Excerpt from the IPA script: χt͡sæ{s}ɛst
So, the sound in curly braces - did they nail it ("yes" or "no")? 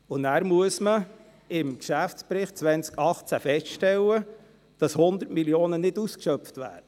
no